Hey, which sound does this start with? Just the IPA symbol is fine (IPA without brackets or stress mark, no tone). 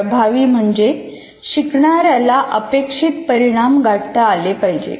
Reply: bʱ